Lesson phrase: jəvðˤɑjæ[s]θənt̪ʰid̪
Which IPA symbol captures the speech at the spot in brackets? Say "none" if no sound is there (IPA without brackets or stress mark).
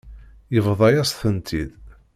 s